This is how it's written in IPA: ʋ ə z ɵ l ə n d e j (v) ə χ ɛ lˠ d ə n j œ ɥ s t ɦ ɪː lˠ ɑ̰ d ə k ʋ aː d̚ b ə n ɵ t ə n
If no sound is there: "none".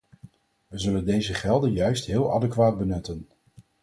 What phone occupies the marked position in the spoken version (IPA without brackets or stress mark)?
z